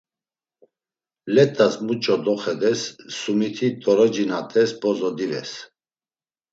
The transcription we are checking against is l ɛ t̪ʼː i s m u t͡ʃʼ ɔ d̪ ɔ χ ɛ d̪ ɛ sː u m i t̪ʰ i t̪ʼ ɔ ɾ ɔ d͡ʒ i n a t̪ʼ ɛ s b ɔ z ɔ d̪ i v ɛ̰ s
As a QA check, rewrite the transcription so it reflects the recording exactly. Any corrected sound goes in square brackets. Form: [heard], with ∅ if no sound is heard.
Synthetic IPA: l ɛ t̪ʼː [a] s m u t͡ʃʼ ɔ d̪ ɔ χ ɛ d̪ ɛ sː u m i t̪ʰ i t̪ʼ ɔ ɾ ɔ d͡ʒ i n a t̪ʼ ɛ s b ɔ z ɔ d̪ i v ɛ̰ s